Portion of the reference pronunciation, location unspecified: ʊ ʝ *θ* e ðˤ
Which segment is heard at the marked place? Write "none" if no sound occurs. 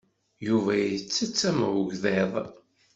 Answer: ð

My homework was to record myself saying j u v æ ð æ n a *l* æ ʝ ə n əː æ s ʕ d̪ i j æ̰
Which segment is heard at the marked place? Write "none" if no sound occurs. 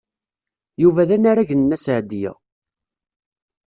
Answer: ɾ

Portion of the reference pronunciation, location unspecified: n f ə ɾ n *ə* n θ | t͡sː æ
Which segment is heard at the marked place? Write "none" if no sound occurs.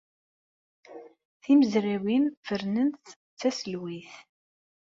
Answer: ə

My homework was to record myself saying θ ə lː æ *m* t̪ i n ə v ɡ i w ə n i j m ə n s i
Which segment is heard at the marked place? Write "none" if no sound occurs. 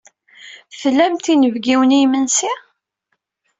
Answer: m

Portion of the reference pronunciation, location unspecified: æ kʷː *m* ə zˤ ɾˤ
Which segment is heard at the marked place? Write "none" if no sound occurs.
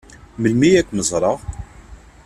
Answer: m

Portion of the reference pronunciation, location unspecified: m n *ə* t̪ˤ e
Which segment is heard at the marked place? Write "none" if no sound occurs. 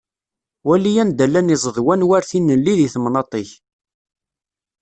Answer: ɑ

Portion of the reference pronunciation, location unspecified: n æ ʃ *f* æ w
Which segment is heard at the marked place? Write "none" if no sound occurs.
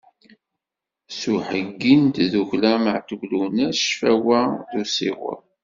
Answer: f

